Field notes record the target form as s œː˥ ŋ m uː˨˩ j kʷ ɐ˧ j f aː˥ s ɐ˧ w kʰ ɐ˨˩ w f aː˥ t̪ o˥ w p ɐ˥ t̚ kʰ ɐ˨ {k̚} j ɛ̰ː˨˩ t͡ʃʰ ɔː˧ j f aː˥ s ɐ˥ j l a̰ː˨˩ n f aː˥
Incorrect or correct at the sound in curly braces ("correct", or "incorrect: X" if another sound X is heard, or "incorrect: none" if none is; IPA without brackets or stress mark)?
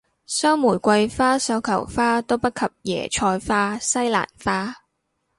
incorrect: p̚